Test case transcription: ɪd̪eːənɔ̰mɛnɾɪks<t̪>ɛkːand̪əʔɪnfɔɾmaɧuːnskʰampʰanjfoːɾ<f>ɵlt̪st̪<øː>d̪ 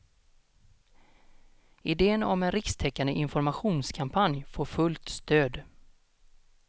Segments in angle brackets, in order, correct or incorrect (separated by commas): incorrect, correct, correct